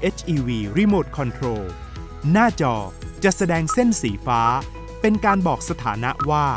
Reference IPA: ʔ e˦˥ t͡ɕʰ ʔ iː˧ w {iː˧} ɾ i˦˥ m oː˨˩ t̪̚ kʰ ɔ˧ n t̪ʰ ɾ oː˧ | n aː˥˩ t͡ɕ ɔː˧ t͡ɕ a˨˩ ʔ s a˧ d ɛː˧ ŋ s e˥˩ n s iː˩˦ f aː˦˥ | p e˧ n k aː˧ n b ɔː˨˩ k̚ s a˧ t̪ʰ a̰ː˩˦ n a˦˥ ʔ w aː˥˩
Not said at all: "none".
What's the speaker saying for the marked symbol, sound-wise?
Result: iː˧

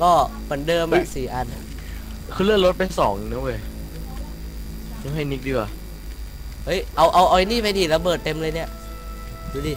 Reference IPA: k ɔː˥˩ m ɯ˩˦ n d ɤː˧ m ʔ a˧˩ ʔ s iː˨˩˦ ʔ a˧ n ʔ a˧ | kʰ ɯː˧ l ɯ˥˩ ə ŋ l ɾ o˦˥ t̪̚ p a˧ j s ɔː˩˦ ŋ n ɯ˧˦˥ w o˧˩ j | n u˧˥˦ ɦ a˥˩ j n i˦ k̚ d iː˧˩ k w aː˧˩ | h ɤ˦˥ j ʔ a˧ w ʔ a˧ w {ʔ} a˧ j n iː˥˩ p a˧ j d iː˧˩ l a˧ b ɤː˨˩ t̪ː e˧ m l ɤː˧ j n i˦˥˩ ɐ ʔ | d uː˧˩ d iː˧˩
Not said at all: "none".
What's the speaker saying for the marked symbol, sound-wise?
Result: ʔ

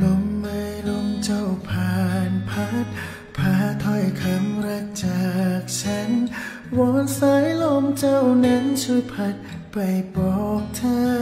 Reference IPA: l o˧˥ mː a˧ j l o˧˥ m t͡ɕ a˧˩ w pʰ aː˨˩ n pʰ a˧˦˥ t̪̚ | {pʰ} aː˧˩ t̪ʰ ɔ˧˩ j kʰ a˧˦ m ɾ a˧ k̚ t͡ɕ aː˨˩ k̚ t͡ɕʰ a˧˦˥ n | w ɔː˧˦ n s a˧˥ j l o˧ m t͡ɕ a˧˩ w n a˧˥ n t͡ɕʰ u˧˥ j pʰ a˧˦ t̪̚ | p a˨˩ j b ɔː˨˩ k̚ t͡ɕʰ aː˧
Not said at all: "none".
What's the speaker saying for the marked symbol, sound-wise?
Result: pʰ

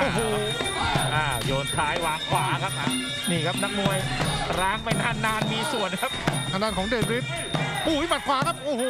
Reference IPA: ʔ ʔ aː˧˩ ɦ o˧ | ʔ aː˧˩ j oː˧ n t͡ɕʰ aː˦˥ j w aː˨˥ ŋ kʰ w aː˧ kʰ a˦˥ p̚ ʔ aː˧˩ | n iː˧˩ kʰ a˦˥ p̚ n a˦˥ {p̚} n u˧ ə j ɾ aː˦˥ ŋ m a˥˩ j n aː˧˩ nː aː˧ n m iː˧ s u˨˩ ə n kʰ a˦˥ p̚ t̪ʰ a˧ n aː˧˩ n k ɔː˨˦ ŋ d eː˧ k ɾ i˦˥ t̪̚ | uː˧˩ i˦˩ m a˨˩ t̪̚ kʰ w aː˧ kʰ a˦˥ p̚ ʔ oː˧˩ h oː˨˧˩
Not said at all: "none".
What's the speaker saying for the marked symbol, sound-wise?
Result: k̚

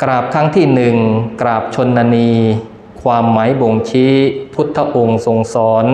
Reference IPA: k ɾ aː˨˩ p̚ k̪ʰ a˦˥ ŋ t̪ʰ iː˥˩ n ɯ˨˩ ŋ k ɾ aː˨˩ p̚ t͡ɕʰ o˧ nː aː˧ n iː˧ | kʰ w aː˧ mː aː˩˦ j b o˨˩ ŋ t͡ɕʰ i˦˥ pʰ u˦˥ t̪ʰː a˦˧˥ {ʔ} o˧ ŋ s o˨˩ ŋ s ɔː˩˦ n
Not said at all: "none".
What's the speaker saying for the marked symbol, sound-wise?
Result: ʔ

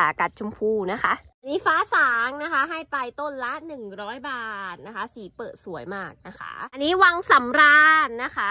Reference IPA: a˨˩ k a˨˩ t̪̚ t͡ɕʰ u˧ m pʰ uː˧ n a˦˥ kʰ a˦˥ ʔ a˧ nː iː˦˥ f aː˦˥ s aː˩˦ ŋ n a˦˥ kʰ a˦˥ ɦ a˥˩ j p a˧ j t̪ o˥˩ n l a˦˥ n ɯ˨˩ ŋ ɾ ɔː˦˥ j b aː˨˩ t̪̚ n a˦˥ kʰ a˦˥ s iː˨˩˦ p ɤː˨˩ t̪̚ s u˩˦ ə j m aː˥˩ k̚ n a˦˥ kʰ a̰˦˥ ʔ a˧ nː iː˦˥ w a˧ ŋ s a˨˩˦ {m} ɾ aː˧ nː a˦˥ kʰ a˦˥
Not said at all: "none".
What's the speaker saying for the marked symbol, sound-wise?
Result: m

